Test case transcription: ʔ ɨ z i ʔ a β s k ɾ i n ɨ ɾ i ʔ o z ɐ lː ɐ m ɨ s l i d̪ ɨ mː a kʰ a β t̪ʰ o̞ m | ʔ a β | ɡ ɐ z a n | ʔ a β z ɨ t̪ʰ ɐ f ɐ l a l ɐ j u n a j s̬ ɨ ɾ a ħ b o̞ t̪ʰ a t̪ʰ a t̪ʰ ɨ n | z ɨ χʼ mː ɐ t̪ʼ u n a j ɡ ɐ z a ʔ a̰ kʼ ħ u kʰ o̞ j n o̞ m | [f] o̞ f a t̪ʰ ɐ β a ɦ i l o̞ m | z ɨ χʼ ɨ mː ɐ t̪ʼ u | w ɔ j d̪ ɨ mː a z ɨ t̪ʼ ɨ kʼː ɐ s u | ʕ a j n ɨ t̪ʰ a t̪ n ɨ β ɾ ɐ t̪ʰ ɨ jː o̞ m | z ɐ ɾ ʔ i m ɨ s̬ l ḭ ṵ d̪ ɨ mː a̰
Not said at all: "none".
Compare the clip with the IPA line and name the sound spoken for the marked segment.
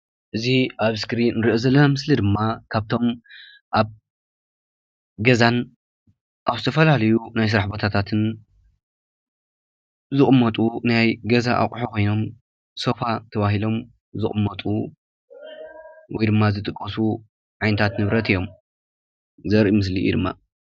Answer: s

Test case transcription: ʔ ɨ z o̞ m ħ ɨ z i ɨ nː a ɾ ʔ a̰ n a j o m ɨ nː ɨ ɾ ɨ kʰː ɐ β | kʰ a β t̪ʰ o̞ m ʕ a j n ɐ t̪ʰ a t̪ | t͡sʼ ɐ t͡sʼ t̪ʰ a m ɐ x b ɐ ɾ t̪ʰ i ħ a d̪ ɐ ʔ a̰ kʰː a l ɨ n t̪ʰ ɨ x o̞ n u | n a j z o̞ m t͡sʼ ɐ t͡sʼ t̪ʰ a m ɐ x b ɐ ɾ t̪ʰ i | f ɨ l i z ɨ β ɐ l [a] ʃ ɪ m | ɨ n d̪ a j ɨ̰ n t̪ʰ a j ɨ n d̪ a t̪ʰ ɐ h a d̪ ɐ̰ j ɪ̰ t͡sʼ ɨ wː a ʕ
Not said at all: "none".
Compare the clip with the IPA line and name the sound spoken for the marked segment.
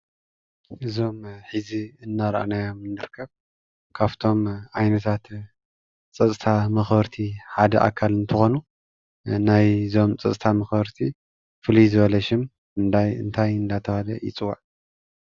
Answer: ɐ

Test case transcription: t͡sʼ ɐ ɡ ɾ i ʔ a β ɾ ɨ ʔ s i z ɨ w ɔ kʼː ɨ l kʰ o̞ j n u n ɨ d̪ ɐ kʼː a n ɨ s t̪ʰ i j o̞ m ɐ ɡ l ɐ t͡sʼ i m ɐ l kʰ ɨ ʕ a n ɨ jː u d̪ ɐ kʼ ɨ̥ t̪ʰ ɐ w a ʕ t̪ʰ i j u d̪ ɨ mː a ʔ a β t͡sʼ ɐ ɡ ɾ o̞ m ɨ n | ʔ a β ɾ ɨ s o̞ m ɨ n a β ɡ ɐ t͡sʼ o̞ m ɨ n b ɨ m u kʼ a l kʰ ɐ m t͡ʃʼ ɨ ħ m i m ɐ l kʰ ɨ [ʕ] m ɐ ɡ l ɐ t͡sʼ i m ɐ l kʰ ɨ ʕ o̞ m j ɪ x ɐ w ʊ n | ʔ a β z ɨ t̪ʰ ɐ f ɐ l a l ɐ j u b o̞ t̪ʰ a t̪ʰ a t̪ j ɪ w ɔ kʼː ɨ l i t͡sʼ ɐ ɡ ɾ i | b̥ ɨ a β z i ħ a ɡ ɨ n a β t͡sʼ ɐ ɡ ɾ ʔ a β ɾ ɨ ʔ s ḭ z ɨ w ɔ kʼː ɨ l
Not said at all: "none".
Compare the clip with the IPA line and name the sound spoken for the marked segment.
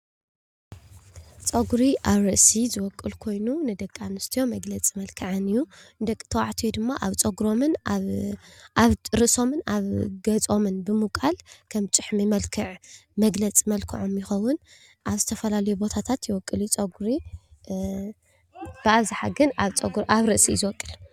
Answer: ʕ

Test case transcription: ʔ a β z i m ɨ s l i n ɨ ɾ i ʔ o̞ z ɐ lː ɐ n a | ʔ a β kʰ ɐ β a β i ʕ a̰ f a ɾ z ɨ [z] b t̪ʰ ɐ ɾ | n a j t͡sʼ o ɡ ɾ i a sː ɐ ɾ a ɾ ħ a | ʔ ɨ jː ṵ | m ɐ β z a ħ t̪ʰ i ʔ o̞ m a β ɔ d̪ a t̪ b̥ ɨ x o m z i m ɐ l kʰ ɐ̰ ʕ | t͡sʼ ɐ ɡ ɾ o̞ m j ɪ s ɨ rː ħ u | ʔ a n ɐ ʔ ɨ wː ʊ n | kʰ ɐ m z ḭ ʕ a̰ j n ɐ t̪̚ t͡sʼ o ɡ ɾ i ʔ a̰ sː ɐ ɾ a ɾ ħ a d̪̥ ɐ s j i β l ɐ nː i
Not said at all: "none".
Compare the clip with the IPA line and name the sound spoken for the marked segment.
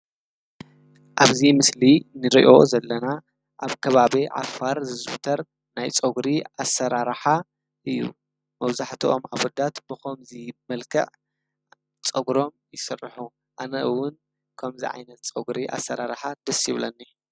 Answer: z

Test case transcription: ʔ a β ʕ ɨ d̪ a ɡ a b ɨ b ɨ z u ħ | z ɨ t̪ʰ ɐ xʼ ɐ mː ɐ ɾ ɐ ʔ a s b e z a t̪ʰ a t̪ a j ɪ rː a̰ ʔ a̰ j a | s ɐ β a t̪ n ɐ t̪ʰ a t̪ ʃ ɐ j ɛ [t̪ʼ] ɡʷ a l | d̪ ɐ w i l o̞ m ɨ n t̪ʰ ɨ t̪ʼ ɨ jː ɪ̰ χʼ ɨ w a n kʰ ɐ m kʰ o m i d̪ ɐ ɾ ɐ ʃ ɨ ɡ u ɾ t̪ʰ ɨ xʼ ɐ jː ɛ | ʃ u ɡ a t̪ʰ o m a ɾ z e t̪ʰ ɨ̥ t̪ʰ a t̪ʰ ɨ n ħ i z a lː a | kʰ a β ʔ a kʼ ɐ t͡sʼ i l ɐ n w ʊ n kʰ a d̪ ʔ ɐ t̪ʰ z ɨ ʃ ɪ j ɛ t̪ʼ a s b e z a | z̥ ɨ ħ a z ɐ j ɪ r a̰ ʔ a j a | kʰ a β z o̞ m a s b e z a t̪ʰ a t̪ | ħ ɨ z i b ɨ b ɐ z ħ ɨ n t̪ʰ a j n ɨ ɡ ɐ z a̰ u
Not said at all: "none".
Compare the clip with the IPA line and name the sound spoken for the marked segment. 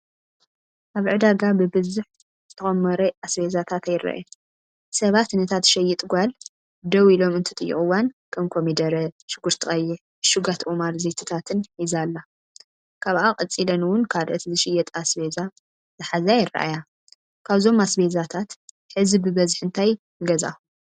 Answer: t̪ʼ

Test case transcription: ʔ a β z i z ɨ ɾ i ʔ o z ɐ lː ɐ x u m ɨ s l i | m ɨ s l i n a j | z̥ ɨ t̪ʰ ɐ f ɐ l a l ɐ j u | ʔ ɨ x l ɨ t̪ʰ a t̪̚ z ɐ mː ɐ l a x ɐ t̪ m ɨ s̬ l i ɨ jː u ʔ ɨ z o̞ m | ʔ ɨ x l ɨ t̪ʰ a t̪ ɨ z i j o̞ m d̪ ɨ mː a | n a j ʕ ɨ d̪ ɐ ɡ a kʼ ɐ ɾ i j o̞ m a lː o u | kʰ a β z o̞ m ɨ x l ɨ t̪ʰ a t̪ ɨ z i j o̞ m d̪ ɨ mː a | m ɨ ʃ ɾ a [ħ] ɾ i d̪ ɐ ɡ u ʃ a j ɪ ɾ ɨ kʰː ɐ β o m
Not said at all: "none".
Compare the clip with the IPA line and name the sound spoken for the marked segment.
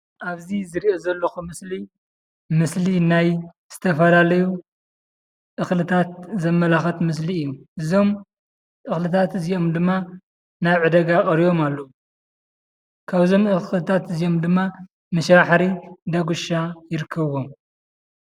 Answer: ħ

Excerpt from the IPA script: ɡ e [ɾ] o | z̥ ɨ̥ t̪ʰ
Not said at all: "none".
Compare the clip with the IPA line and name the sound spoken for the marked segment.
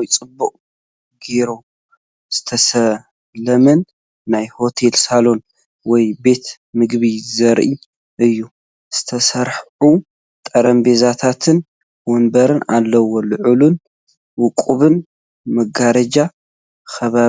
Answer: ɾ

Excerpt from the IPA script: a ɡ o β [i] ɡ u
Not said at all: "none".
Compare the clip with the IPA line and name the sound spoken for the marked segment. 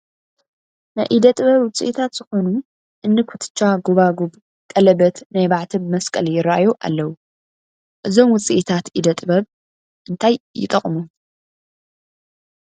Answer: a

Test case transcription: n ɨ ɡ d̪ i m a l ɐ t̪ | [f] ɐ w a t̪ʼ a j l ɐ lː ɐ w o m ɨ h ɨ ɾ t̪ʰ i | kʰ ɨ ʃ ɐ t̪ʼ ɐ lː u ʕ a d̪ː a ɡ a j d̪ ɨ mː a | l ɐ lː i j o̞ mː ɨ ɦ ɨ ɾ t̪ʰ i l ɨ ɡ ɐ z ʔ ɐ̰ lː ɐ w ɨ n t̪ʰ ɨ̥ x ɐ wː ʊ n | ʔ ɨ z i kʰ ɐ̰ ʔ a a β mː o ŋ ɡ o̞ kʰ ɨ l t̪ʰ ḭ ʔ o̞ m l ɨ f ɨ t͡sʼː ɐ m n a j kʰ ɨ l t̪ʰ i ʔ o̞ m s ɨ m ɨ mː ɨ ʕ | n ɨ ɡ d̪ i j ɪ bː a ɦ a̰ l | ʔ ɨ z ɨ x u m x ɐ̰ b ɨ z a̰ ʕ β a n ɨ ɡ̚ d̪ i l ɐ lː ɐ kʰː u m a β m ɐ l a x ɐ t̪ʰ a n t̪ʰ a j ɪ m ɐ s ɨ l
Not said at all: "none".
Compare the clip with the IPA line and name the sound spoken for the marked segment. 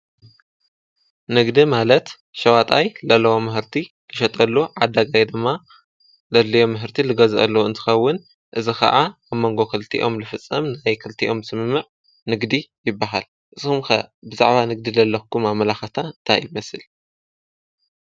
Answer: ʃ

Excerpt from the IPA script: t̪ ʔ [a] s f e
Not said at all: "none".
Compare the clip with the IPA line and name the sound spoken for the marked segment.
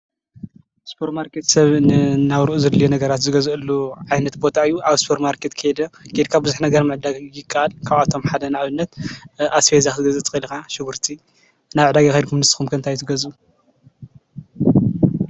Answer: a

